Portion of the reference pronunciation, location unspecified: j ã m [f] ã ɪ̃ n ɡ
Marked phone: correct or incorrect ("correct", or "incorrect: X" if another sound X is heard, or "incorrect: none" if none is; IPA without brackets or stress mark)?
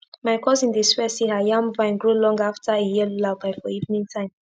incorrect: v